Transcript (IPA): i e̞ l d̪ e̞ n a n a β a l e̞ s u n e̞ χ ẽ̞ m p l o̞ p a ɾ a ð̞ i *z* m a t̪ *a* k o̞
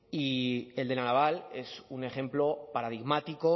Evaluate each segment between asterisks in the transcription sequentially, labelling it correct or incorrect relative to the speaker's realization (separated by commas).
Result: incorrect, incorrect